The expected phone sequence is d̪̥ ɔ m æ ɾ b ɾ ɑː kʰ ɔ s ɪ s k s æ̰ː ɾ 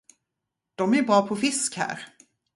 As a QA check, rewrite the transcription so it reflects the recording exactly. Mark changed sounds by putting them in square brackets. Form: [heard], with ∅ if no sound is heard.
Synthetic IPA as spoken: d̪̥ ɔ m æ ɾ b ɾ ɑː [pʰ] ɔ [f] ɪ s k [h] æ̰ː ɾ